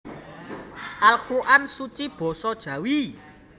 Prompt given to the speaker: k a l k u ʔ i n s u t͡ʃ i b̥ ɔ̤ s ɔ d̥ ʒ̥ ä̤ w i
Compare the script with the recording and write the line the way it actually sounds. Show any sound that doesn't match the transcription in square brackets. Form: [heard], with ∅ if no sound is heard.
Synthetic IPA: [ʔ] a l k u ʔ [a] n s u t͡ʃ i b̥ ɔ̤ s ɔ d̥ ʒ̥ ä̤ w i

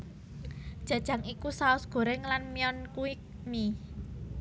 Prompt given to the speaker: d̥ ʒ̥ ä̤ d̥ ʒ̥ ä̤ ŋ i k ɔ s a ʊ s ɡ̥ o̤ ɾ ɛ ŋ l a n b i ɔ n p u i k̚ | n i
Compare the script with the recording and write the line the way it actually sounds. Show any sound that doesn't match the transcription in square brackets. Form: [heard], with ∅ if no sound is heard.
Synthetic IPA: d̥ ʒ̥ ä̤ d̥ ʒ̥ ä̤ ŋ i k [u] s a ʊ s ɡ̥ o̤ ɾ ɛ ŋ l a n [m] i ɔ n [k] u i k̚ | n i

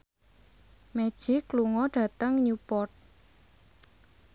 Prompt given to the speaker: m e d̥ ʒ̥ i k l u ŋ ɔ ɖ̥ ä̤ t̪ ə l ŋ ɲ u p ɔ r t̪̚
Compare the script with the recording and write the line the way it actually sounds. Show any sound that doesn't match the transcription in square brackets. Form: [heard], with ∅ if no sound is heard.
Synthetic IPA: m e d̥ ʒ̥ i k l u ŋ ɔ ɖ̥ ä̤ t̪ ə [∅] ŋ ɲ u p ɔ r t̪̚

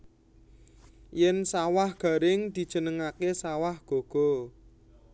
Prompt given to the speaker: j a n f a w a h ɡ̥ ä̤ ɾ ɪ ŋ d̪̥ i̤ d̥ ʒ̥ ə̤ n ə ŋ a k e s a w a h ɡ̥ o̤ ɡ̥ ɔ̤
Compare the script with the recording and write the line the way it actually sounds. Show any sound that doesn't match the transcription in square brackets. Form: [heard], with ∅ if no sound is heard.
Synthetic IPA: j [ɛ] n [s] a w a h ɡ̥ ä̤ ɾ ɪ ŋ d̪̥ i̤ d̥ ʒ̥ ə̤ n ə ŋ a k e s a w a h ɡ̥ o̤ ɡ̥ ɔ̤

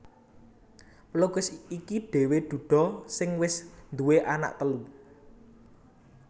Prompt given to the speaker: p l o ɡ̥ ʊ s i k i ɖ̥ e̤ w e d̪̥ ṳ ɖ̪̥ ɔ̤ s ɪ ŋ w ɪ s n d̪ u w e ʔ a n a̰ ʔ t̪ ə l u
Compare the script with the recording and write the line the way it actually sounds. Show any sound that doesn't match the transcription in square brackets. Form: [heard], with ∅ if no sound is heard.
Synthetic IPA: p l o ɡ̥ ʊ s i k i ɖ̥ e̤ w e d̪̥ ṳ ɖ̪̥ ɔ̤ s ɪ ŋ w ɪ s n d̪ u w e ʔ a n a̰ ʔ t̪ ə l u

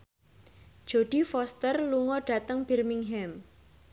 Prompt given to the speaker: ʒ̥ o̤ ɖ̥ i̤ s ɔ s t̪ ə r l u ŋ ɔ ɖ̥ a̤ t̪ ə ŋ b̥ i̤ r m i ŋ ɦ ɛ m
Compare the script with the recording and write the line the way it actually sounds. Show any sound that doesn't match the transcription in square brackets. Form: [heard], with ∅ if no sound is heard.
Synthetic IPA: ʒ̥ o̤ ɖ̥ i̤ [f] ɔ s t̪ ə r l u ŋ ɔ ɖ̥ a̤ t̪ ə ŋ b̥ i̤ r m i ŋ ɦ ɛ m

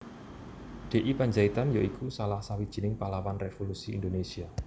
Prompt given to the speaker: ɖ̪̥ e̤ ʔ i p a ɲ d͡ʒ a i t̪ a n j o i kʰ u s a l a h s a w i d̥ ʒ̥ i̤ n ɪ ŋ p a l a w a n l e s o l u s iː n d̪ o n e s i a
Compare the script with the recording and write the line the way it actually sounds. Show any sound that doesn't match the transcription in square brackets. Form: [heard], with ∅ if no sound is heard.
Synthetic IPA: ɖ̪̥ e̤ ʔ i p a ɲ d͡ʒ a i t̪ a n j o i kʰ u s a l a h s a w i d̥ ʒ̥ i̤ n ɪ ŋ p a l a w a n [r] e [f] o l u s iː n d̪ o n e s i a

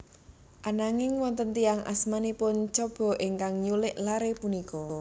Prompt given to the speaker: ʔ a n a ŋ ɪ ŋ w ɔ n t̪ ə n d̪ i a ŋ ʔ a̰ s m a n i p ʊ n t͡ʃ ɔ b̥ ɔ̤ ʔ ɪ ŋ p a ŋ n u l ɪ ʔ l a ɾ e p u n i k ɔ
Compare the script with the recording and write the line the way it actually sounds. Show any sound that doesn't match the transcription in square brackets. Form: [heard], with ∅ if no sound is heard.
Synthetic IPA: ʔ a n a ŋ ɪ ŋ w ɔ n t̪ ə n [t̪] i a ŋ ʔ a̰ s m a n i p ʊ n t͡ʃ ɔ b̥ ɔ̤ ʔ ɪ ŋ [k] a ŋ [ɲ] u l ɪ ʔ l a ɾ e p u n i k ɔ

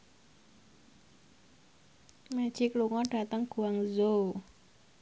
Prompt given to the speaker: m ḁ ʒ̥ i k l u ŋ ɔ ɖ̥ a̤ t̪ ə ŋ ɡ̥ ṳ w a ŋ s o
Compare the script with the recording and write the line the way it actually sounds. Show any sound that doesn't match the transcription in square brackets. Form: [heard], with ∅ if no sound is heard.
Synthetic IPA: m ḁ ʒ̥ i k l u ŋ ɔ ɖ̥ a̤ t̪ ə ŋ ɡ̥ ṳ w a ŋ [z] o

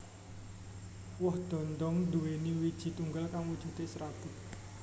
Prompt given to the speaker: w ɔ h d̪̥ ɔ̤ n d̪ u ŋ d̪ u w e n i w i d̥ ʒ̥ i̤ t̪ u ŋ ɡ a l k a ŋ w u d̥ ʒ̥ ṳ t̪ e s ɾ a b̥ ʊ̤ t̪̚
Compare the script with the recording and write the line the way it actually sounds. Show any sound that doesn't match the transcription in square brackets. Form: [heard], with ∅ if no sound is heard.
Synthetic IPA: w ɔ h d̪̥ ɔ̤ n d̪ [ɔ] ŋ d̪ u w e n i w i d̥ ʒ̥ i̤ t̪ u ŋ ɡ a l k a ŋ w u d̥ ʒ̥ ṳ t̪ e s ɾ a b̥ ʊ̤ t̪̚

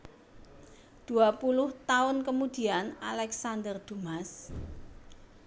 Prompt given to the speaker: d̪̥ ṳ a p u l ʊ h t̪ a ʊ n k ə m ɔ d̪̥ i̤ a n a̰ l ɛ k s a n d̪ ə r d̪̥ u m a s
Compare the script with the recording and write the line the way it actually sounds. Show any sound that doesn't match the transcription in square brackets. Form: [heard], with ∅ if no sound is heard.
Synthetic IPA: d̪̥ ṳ a p u l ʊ h t̪ a ʊ n k ə m [u] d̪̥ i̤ a n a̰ l ɛ k s a n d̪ ə r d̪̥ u m a s

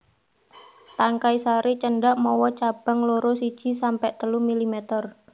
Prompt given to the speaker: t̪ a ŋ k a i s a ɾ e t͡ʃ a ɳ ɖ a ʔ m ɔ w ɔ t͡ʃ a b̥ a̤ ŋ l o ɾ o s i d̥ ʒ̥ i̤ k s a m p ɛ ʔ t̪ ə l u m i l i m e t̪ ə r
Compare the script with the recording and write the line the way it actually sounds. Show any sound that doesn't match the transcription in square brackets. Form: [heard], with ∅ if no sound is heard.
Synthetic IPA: t̪ a ŋ k a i s a ɾ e t͡ʃ [ə] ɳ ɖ a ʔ m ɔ w ɔ t͡ʃ a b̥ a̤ ŋ l o ɾ o s i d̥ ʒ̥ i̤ [∅] s a m p ɛ ʔ t̪ ə l u m i l i m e t̪ ə r

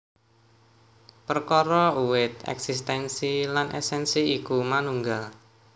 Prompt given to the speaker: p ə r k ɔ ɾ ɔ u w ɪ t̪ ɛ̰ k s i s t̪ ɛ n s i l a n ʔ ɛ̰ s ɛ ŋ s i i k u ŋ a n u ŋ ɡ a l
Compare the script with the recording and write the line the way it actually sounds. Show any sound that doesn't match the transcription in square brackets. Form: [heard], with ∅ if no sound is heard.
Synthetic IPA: p ə r k ɔ ɾ ɔ u w ɪ t̪ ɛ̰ k s i s t̪ ɛ n s i l a n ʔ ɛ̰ s ɛ [n] s i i k u [m] a n u ŋ ɡ a l

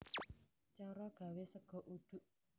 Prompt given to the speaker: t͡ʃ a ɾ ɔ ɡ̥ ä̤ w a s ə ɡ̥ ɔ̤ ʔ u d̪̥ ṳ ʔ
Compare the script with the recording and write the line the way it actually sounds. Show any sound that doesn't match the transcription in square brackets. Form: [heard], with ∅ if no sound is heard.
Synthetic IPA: t͡ʃ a ɾ ɔ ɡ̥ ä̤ w [e] s ə ɡ̥ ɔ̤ ʔ u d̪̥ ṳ ʔ

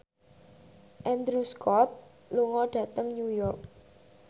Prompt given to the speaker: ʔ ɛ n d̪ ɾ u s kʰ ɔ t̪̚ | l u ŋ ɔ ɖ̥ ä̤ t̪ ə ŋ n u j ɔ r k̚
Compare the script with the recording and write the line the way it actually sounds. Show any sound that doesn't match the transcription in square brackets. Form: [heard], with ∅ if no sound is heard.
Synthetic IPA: ʔ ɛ n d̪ ɾ u s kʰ ɔ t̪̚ | l u ŋ ɔ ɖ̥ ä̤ t̪ ə ŋ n u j ɔ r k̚

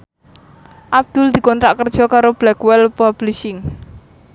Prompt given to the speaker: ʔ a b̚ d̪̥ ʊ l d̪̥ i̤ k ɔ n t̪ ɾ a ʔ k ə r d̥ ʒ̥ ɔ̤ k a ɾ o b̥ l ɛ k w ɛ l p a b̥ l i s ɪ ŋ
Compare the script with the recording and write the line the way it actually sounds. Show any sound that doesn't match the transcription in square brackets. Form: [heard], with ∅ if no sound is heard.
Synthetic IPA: ʔ a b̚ d̪̥ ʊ l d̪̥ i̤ k ɔ n t̪ ɾ a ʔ k ə r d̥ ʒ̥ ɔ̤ k a ɾ o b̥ l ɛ k w ɛ l p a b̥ l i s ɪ ŋ

